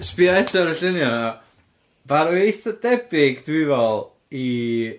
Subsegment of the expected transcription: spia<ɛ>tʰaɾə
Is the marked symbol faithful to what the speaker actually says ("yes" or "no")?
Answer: yes